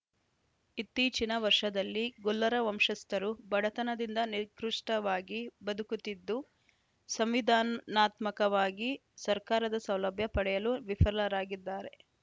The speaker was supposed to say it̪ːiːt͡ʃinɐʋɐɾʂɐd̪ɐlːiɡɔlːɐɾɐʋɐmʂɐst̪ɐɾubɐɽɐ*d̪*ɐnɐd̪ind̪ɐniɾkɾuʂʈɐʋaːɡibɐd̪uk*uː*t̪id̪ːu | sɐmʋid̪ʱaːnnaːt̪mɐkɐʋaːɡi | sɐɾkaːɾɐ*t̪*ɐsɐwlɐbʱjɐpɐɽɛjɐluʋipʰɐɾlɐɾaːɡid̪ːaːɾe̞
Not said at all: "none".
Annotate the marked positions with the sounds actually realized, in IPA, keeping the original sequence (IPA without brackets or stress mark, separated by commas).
t̪, u, d̪